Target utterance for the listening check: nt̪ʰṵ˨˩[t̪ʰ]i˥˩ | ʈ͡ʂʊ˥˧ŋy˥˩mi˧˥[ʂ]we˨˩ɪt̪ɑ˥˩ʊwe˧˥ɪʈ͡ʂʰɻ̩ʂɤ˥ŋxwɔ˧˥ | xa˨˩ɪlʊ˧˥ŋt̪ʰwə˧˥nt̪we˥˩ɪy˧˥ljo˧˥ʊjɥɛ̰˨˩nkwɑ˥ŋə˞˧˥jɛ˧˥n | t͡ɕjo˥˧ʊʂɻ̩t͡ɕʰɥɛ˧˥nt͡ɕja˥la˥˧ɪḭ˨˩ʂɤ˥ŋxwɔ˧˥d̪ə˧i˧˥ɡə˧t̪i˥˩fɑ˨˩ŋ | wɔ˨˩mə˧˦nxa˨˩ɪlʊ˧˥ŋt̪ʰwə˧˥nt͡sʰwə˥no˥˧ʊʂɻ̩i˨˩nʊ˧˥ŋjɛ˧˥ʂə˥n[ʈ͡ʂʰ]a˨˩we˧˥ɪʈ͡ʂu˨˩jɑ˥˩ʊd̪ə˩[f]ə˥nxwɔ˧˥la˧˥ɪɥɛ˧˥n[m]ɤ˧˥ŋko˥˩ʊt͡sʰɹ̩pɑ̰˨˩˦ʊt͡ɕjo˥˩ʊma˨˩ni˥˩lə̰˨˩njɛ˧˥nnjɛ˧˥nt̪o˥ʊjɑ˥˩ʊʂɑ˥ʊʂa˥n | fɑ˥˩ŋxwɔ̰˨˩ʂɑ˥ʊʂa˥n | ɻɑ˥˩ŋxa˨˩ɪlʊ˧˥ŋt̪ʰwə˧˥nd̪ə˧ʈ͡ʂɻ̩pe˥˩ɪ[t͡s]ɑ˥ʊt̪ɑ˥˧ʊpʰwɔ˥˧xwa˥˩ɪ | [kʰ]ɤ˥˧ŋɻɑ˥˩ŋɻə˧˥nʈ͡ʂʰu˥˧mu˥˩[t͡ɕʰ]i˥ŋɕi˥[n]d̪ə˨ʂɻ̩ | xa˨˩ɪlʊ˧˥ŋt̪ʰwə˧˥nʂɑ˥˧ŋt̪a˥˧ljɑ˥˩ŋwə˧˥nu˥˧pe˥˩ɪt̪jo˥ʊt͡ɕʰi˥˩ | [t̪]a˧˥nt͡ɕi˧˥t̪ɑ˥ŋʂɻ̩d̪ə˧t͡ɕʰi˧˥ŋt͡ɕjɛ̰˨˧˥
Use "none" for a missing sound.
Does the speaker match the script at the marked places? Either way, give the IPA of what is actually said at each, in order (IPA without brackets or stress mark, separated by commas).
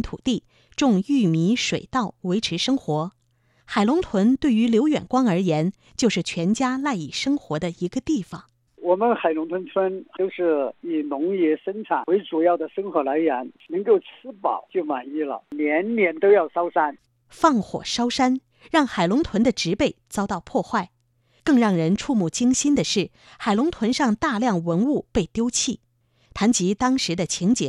t̪, ʂ, ʈ͡ʂʰ, ʂ, n, t͡s, k, t͡ɕ, n, t̪ʰ